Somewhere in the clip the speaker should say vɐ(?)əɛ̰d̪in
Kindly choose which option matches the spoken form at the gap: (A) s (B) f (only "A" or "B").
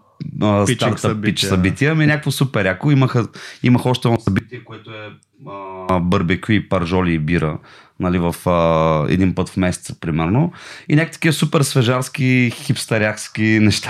B